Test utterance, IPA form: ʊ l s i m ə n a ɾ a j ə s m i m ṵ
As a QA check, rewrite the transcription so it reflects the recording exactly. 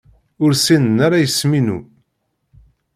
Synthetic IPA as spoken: ʊ ɾ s i n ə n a ɾ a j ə s m i n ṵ